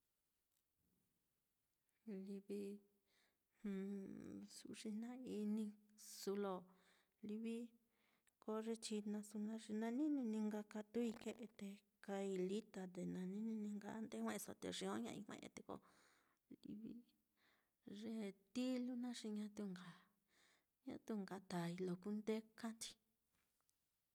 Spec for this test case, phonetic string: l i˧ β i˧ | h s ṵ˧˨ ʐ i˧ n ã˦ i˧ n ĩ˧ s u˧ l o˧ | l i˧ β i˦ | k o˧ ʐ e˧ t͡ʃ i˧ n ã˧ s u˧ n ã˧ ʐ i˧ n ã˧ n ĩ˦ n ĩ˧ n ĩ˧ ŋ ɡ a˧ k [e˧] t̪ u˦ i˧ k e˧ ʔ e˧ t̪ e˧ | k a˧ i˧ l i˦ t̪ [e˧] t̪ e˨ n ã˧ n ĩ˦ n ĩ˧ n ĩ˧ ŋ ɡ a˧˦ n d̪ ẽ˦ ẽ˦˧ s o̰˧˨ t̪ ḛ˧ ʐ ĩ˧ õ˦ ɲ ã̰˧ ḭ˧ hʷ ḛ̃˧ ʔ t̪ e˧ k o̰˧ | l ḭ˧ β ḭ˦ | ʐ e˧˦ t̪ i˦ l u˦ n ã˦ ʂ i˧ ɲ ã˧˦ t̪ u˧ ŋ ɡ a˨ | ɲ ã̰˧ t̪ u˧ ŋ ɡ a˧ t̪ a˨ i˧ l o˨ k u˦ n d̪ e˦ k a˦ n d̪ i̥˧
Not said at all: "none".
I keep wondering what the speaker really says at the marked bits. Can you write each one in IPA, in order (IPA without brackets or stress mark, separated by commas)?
a˧, a˧